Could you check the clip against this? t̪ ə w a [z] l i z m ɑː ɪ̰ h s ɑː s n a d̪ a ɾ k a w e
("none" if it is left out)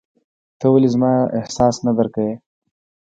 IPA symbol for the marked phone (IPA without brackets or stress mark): none